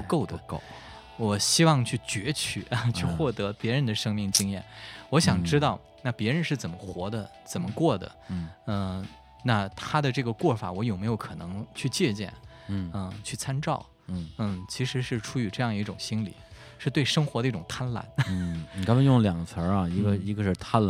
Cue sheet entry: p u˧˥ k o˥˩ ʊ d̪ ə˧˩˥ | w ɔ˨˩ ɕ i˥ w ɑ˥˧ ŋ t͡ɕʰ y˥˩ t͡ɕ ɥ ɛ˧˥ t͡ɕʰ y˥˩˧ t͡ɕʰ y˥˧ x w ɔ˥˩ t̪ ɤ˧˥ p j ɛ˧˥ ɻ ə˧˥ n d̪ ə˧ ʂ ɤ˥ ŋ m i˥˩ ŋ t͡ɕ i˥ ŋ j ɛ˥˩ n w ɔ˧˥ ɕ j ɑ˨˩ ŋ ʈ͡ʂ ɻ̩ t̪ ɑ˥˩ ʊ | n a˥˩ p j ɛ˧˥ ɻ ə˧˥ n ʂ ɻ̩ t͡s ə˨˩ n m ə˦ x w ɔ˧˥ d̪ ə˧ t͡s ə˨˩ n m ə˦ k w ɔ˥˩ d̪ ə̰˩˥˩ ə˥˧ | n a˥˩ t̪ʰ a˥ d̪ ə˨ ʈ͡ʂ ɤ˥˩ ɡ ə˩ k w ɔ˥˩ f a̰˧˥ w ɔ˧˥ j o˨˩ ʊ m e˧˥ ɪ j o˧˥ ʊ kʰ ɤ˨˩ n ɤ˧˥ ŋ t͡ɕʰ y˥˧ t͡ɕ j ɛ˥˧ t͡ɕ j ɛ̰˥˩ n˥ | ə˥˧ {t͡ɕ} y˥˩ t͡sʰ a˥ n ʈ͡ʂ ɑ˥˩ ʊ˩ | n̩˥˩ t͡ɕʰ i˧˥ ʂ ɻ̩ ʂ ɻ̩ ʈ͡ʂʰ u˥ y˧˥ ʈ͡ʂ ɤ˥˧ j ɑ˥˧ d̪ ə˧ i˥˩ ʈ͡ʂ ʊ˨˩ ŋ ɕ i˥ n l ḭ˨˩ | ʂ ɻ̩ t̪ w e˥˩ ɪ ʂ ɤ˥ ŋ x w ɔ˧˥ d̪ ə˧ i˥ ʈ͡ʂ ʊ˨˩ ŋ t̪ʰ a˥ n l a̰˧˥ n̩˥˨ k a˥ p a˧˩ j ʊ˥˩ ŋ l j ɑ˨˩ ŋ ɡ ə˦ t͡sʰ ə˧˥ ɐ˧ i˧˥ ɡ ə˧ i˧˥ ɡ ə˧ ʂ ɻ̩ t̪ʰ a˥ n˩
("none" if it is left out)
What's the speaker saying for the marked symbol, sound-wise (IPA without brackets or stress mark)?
t͡ɕʰ